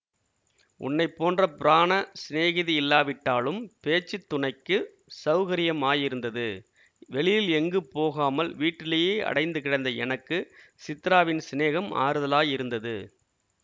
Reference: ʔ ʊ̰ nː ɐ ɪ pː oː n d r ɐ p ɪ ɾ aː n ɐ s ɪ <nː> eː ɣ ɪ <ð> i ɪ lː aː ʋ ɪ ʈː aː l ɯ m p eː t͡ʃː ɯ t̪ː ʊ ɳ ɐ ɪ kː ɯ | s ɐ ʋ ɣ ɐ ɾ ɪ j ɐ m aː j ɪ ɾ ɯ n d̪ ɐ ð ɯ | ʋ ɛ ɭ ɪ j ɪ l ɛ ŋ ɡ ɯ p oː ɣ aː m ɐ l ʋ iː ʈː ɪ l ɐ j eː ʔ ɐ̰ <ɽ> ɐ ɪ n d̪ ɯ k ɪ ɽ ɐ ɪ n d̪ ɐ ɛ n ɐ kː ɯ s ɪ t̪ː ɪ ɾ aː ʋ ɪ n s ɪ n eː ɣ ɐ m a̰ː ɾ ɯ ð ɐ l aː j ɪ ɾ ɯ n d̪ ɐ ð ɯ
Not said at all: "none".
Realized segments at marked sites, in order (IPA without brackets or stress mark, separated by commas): n, ð, ɽ